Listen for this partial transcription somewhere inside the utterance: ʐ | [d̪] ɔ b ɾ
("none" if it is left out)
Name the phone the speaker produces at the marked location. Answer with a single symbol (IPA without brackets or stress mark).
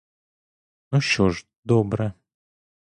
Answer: d̪